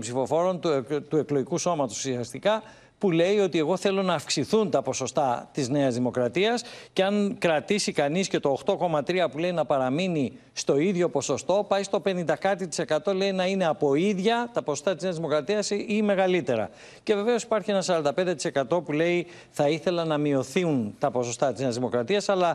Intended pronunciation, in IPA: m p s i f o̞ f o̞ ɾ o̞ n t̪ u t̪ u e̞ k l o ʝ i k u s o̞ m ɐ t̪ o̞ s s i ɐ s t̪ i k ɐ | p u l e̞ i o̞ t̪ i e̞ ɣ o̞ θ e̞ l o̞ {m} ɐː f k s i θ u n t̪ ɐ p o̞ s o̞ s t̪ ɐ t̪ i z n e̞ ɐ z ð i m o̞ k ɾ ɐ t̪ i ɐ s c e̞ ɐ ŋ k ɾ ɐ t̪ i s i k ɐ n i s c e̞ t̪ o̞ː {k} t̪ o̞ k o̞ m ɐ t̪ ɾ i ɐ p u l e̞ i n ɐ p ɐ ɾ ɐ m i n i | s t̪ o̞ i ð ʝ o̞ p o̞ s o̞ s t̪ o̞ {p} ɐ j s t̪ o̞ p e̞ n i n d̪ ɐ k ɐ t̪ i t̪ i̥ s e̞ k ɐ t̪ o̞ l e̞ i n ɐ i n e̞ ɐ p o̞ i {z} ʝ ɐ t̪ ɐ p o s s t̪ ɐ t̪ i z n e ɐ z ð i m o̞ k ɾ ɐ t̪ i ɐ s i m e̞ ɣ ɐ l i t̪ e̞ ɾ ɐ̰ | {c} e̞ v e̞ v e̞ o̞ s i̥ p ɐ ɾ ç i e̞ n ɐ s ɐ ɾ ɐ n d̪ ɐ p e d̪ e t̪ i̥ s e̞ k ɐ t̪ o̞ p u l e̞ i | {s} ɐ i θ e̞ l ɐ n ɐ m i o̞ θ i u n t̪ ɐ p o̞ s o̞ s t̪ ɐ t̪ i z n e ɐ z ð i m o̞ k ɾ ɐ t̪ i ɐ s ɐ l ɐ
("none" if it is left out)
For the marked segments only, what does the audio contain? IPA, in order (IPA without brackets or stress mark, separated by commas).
n, x, p, ð, c, θ